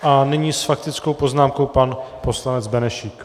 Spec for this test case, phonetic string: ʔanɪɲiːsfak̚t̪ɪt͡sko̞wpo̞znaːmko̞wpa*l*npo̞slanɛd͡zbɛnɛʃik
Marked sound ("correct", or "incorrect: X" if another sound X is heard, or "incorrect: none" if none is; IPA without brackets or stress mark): incorrect: none